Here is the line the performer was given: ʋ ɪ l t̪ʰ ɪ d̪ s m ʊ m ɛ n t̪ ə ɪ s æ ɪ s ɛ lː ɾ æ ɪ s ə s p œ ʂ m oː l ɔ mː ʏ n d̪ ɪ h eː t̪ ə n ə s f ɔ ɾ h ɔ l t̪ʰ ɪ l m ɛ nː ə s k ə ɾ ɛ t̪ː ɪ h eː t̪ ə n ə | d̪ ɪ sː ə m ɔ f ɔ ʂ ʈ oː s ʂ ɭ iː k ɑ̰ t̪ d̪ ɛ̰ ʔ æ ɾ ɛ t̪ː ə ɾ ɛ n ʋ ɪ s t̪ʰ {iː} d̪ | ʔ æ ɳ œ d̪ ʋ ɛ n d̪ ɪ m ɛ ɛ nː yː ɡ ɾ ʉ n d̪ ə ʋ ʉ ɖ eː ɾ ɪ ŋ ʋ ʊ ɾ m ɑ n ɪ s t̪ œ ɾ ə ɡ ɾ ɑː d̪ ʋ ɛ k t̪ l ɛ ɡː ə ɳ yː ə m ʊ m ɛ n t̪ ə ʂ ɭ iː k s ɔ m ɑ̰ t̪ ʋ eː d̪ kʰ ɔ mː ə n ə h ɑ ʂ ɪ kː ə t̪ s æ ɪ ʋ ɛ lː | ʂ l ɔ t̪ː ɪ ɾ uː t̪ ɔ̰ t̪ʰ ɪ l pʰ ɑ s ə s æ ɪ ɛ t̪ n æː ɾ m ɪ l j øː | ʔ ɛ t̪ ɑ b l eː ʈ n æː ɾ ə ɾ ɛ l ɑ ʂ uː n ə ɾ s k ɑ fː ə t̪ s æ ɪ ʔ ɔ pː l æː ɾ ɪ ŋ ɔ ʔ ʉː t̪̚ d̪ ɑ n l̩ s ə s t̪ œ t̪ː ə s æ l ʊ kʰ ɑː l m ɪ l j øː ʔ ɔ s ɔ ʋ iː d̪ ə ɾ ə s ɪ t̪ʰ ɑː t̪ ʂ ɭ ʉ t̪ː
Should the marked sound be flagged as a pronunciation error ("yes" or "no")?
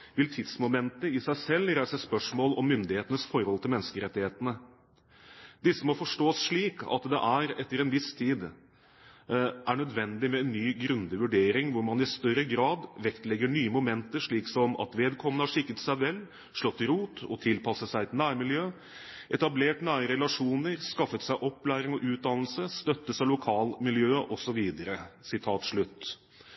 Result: no